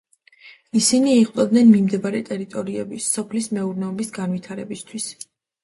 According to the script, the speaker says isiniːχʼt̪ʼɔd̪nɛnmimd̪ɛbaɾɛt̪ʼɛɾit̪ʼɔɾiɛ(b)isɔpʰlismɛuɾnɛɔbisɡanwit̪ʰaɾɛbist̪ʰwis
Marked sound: correct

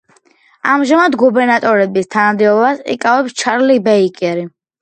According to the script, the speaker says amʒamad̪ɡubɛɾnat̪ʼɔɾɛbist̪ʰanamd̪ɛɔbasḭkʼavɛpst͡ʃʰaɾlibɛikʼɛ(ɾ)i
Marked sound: correct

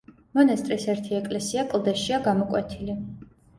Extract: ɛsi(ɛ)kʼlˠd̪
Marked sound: incorrect: a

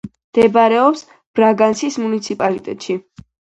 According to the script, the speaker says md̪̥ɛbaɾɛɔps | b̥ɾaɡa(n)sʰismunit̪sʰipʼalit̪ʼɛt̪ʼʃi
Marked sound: correct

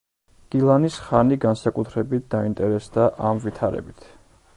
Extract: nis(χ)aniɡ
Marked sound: correct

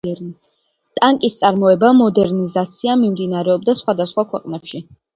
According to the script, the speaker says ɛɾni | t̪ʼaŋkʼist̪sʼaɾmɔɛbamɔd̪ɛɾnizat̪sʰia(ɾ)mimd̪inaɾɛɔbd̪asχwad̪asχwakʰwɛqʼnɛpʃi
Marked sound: incorrect: none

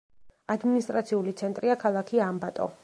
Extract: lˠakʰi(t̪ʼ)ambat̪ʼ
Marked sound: incorrect: none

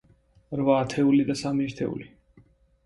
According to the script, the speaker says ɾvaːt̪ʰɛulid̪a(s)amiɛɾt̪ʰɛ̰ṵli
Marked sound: correct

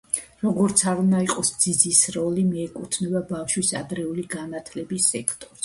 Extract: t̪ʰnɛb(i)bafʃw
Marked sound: incorrect: a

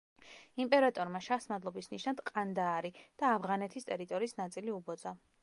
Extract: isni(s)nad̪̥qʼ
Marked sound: incorrect: ʃ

